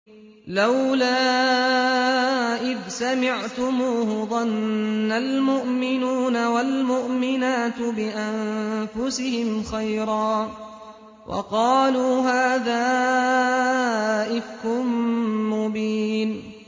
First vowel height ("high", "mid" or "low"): low